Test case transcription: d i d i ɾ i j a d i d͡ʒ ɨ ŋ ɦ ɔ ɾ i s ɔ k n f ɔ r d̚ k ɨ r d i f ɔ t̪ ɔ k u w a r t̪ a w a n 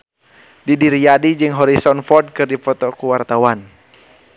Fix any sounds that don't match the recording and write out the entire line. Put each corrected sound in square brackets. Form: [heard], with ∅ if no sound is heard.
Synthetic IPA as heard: d i d i ɾ i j a d i d͡ʒ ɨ ŋ ɦ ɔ ɾ i s ɔ [∅] n f ɔ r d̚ k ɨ r d i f ɔ t̪ ɔ k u w a r t̪ a w a n